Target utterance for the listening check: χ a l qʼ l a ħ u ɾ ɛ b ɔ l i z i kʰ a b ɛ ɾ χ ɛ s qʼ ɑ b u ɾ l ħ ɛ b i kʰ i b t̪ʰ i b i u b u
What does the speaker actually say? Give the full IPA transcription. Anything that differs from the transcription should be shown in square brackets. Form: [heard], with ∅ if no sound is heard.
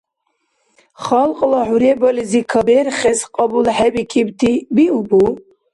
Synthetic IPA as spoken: χ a l qʼ l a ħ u ɾ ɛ b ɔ l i z i kʰ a b ɛ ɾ χ ɛ s qʼ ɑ b u [∅] l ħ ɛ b i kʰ i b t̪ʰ i b i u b u

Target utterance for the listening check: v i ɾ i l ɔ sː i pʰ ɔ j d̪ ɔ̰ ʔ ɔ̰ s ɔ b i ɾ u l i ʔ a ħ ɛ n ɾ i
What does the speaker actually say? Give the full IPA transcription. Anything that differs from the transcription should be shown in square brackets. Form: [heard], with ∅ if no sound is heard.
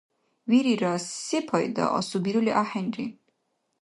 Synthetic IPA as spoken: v i ɾ i [ɾ] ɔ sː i pʰ ɔ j d̪ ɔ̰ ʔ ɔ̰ s [u] b i ɾ u l i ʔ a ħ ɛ n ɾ i

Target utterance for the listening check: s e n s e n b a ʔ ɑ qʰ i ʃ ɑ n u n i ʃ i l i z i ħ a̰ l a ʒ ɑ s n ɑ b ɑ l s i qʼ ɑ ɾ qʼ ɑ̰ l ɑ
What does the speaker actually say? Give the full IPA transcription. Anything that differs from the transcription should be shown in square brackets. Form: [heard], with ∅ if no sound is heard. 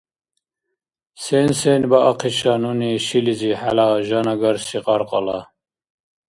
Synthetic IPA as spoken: s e n s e n b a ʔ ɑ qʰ i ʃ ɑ n u n i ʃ i l i z i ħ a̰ l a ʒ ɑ [∅] n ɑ [ɡ] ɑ [ɾ] s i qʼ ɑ ɾ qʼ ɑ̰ l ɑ

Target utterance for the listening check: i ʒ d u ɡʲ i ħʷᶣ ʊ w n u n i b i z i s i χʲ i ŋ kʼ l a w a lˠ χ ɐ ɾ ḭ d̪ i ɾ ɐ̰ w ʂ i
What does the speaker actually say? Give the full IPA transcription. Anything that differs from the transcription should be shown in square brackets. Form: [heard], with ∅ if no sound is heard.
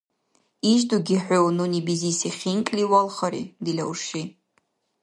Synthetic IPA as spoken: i ʒ d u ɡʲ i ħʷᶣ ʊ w n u n i b i z i s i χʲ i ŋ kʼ l [i] w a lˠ χ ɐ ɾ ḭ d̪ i [l] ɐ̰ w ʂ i

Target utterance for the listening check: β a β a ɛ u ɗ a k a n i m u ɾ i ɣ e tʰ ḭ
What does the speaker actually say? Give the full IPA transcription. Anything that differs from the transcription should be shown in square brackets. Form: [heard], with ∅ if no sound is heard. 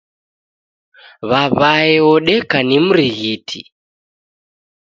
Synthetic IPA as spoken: β a β a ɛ [ɔ] ɗ [ɛ] k a n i m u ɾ i ɣ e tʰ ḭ

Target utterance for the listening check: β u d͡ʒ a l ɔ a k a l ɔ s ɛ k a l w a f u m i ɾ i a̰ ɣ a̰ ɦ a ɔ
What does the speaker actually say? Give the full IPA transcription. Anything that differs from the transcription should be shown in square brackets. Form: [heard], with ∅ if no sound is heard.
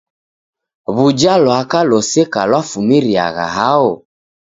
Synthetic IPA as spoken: β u d͡ʒ a l ɔ a k a l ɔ s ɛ k a l w a f u m i ɾ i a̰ ɣ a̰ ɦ a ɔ

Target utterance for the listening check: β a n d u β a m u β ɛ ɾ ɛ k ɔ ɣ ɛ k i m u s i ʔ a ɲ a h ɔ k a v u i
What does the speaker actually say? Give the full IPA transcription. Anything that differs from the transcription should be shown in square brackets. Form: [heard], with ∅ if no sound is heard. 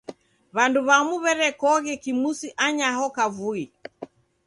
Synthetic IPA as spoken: β a n d u β a m u β ɛ ɾ ɛ k ɔ ɣ ɛ k i m u s i ʔ a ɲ a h ɔ k a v u i

